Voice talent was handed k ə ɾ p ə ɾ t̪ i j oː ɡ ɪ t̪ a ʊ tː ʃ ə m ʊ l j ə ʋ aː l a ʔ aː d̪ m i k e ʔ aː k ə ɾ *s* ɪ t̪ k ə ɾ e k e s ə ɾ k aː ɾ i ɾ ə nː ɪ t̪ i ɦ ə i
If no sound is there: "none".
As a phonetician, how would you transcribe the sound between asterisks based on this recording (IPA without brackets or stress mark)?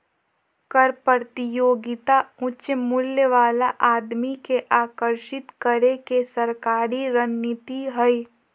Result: ʃ